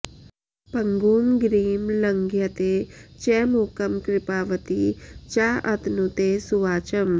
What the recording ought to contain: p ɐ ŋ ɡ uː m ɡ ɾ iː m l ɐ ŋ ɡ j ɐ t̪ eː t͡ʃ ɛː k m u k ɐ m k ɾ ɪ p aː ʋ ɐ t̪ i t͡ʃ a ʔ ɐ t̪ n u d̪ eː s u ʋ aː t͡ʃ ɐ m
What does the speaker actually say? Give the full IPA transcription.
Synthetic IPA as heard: p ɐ ŋ ɡ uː m ɡ ɾ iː m l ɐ ŋ ɡ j ɐ t̪ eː t͡ʃ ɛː m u k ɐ m k ɾ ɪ p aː ʋ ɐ t̪ i t͡ʃ a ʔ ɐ t̪ n u t̪ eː s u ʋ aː t͡ʃ ɐ m